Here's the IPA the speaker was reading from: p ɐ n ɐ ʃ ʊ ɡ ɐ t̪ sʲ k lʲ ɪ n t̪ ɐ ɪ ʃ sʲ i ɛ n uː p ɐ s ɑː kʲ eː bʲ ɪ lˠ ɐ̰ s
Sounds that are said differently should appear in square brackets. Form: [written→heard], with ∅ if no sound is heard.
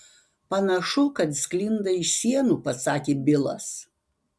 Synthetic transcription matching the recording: p ɐ n ɐ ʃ ʊ [ɡ→k] ɐ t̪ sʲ k lʲ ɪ n [t̪→d̪] ɐ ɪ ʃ sʲ i ɛ n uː p ɐ s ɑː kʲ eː bʲ ɪ lˠ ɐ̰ s